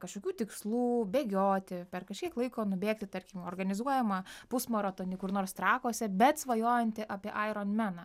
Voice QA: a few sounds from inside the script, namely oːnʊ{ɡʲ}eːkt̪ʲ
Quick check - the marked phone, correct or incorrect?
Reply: incorrect